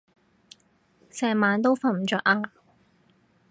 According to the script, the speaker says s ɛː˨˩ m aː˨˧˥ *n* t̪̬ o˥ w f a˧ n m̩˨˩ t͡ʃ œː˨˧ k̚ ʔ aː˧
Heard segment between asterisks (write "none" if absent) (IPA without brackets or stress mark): n